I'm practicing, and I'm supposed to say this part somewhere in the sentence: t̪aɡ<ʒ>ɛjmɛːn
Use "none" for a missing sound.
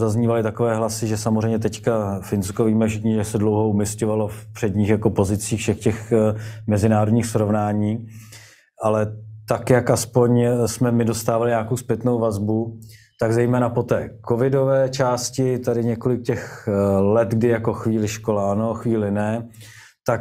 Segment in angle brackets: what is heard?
z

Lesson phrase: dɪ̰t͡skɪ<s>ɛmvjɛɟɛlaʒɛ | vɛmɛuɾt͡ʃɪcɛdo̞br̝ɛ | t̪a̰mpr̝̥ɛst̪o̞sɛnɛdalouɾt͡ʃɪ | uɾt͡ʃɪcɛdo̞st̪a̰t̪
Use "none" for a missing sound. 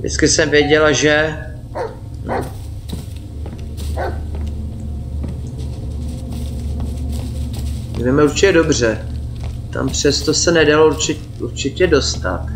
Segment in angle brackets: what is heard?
s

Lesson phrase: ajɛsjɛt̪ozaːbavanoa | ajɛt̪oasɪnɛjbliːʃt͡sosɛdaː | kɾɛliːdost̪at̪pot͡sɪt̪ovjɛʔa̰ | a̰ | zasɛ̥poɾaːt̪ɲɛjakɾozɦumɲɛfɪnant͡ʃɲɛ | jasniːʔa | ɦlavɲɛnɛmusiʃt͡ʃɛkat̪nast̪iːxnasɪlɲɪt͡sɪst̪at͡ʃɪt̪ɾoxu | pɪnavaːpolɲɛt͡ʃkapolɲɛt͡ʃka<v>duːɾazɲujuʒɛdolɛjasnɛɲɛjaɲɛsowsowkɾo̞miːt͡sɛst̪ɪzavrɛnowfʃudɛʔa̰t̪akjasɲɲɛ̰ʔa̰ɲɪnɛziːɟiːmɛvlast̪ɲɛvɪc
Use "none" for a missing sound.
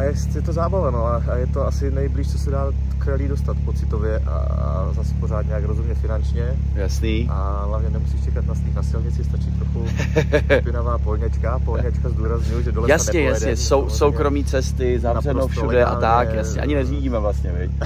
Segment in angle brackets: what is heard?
z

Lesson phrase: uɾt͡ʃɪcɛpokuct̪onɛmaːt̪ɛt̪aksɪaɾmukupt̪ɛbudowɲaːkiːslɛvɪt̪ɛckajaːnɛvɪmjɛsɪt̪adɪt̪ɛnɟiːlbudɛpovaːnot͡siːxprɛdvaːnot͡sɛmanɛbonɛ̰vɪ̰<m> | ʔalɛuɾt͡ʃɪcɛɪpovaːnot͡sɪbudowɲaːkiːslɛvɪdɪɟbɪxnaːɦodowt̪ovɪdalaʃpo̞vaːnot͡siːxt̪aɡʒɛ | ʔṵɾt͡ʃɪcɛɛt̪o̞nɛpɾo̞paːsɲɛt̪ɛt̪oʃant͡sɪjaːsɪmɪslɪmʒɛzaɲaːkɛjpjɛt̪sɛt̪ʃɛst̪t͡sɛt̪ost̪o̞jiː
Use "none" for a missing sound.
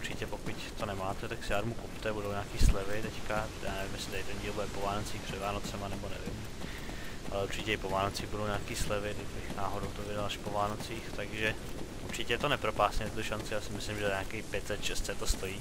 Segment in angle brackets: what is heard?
m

